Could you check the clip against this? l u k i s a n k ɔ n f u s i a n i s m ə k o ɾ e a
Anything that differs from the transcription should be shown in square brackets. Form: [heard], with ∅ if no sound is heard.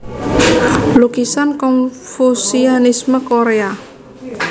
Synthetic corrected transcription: l u k i s a n k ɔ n f u s i a n i s m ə k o ɾ e a

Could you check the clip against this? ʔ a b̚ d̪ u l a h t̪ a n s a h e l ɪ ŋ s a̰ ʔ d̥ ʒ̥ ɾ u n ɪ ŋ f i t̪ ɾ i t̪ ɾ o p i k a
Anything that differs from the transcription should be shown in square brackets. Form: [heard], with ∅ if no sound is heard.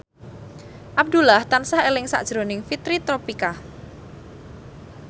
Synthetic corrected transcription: ʔ a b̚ d̪ u l a h t̪ a n s a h e l ɪ ŋ s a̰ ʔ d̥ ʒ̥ ɾ [o] n ɪ ŋ f i t̪ ɾ i t̪ ɾ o p i k a

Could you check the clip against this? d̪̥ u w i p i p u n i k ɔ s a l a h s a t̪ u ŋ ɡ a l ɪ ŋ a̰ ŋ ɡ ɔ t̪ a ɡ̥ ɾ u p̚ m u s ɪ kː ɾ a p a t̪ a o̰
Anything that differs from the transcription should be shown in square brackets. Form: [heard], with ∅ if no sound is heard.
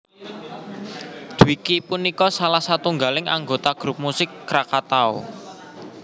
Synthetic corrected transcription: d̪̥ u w i [k] i p u n i k ɔ s a l a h s a t̪ u ŋ ɡ a l ɪ ŋ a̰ ŋ ɡ [o] t̪ a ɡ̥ ɾ u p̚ m u s ɪ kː ɾ a [k] a t̪ a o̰

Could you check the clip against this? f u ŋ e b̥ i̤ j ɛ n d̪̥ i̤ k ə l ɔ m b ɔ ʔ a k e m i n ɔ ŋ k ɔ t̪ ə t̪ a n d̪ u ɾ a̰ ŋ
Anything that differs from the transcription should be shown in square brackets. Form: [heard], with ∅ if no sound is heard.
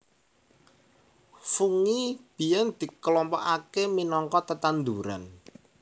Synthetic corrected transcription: f u ŋ [i] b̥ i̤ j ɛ n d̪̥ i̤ k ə l ɔ m [p] ɔ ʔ a k e m i n ɔ ŋ k ɔ t̪ ə t̪ a n d̪ u ɾ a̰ [n]

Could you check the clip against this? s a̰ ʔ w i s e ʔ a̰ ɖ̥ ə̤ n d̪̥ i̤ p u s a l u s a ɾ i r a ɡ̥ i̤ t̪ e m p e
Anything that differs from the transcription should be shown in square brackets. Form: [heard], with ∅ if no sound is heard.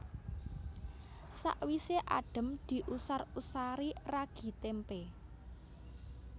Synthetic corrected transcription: s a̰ ʔ w i s e ʔ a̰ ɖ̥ ə̤ [m] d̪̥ i̤ [ʔ] u s a [r] u s a ɾ i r a ɡ̥ i̤ t̪ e m p e

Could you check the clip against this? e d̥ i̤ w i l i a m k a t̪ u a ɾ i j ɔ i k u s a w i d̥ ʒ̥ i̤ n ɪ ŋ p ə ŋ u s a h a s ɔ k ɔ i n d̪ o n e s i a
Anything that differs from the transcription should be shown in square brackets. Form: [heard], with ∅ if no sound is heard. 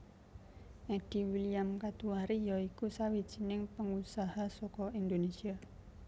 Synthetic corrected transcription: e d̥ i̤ w i l i a m k a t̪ u a ɾ i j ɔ i k u s a w i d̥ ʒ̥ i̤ n ɪ ŋ p ə ŋ u s a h a s ɔ k ɔ i n d̪ o n e s i a

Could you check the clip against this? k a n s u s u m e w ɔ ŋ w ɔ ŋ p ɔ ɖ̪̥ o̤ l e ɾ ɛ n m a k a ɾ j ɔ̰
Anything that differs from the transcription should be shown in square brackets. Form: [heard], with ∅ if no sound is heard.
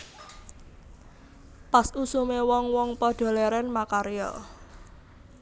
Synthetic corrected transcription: [p] a [∅] s u s u m e w ɔ ŋ w ɔ ŋ p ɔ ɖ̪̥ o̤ l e ɾ ɛ n m a k a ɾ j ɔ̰

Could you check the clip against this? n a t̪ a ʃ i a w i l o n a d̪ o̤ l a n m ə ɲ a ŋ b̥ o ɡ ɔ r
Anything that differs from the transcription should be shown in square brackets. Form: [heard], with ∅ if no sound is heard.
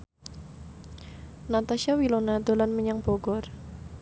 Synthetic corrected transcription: n a t̪ a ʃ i a w i l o n a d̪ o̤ l a n m ə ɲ a ŋ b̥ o ɡ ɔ r

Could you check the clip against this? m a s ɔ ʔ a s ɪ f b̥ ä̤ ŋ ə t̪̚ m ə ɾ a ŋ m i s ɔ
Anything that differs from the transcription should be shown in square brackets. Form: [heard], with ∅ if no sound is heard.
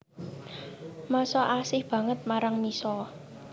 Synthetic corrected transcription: m a s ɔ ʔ a s ɪ [h] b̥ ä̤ ŋ ə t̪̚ m [a] ɾ a ŋ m i s ɔ

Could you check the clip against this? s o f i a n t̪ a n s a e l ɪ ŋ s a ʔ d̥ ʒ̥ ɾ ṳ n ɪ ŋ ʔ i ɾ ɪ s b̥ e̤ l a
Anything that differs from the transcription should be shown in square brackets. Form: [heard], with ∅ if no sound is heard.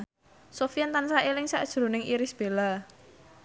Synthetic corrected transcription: s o f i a n t̪ a n s a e l ɪ ŋ s a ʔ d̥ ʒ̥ ɾ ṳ n ɪ ŋ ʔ i ɾ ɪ s b̥ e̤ l a

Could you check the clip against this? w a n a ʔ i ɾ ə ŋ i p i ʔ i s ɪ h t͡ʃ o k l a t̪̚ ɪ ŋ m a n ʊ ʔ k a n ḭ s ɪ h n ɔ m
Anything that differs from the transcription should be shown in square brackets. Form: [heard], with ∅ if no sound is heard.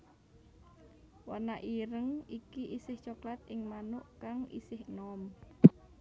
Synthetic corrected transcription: w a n a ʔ i ɾ ə ŋ i [k] i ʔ i s ɪ h t͡ʃ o k l a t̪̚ ɪ ŋ m a n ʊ ʔ k a [ŋ] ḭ s ɪ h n ɔ m

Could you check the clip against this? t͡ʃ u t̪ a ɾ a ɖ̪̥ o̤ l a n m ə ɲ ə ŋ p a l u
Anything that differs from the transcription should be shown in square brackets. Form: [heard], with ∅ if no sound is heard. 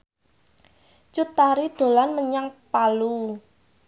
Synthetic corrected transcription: t͡ʃ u t̪ a ɾ [i] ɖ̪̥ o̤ l a n m ə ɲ [a] ŋ p a l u

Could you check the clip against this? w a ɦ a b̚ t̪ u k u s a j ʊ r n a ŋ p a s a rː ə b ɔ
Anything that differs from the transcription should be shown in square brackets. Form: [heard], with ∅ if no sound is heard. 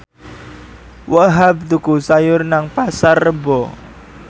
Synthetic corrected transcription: w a ɦ a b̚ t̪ u k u s a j ʊ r n a ŋ p a s a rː ə b ɔ

